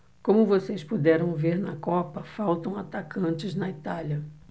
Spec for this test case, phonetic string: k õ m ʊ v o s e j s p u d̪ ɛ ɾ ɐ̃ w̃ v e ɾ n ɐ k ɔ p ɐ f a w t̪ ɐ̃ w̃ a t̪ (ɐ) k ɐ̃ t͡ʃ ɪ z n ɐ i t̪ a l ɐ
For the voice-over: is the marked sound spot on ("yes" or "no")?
no